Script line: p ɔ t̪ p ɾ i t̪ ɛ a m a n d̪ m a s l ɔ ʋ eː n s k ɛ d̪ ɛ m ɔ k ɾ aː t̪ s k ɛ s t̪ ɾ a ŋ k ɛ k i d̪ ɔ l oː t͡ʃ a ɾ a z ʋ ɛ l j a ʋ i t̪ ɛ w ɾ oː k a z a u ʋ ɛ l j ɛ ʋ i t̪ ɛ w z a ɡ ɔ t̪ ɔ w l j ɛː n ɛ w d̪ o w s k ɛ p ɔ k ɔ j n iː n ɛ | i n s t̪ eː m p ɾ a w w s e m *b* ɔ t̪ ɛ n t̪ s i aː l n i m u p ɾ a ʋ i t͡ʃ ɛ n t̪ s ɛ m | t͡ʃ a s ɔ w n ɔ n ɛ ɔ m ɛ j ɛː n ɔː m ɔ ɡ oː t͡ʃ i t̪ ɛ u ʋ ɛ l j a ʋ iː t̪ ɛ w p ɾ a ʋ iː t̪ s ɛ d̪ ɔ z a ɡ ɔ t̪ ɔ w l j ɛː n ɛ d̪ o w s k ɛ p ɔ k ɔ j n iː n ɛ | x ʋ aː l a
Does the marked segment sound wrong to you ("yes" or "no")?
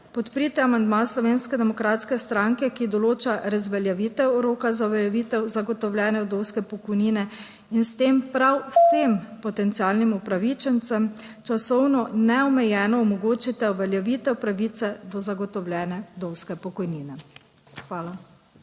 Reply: yes